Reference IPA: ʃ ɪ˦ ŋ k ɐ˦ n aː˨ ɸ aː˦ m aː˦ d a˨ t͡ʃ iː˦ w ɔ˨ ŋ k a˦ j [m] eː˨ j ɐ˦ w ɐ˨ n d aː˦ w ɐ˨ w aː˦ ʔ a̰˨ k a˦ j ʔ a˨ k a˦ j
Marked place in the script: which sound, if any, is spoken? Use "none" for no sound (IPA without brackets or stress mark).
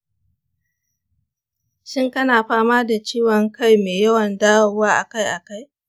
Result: m